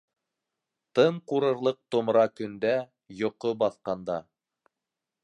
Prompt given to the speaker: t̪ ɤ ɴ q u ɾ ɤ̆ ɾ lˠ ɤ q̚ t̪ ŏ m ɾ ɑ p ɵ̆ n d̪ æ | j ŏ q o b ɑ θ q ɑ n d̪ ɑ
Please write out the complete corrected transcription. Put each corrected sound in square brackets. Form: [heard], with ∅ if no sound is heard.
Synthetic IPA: t̪ ɤ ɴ q u ɾ ɤ̆ ɾ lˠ ɤ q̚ t̪ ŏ m ɾ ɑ [k] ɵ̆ n d̪ æ | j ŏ q o b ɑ θ q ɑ n d̪ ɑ